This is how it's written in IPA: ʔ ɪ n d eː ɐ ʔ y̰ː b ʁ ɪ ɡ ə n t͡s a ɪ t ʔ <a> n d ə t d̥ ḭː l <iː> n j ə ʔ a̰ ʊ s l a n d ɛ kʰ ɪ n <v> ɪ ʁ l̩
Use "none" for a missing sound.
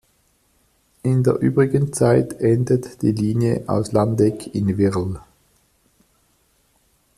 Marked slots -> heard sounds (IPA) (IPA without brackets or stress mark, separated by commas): ɛ, iː, v